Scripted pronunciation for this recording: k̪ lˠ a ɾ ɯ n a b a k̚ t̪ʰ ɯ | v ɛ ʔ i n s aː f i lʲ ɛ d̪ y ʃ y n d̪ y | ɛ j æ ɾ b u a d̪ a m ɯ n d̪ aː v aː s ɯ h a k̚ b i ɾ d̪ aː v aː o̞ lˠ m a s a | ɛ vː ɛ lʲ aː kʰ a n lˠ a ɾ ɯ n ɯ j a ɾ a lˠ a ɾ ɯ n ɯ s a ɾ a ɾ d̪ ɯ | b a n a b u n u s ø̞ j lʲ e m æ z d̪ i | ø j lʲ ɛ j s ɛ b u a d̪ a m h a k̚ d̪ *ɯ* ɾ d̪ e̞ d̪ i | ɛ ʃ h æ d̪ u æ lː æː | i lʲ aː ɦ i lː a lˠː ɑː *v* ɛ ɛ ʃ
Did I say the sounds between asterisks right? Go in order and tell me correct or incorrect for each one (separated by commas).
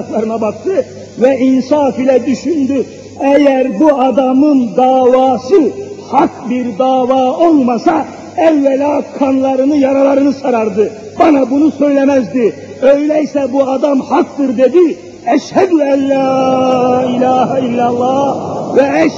correct, correct